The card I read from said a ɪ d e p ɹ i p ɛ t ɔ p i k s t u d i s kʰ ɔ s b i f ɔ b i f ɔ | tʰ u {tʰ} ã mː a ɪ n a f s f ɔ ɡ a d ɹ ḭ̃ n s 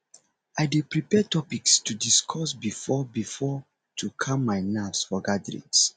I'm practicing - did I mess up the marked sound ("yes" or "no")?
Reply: yes